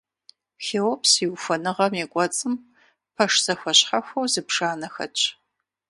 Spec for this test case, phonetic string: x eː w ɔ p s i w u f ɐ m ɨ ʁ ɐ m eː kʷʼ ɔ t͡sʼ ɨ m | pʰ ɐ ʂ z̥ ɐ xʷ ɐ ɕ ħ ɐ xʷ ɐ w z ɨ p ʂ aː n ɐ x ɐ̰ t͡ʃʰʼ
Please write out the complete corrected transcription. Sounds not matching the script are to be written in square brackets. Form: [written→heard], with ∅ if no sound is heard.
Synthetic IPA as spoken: x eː w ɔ p s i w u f ɐ [m→n] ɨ ʁ ɐ m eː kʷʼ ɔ t͡sʼ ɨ m | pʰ ɐ ʂ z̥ ɐ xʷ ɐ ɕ ħ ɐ xʷ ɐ w z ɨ p ʂ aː n ɐ x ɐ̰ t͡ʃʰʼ